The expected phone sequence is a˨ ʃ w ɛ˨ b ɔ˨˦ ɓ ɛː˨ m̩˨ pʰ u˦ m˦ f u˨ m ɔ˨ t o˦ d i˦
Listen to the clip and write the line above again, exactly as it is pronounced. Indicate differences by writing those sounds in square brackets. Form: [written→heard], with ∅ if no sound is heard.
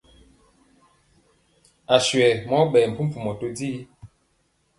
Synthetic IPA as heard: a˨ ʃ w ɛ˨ [b→m] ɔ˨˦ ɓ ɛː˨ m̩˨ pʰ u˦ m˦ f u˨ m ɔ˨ t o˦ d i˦